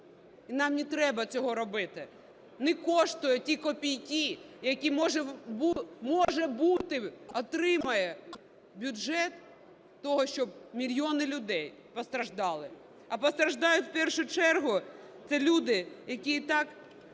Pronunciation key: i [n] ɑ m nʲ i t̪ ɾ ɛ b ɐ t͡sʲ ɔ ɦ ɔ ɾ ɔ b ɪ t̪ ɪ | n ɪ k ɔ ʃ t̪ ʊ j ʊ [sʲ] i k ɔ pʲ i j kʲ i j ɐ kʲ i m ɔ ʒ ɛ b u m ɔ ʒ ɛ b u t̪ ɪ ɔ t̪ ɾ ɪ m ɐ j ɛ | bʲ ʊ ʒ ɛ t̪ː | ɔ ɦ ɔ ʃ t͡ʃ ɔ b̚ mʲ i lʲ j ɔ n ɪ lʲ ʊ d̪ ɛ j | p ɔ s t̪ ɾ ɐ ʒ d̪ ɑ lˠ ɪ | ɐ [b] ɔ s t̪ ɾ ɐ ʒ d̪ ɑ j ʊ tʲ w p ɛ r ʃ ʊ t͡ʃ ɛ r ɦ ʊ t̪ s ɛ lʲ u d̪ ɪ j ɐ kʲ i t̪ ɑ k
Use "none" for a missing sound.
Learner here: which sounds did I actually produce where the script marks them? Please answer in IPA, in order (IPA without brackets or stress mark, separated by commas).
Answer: n, tʲ, p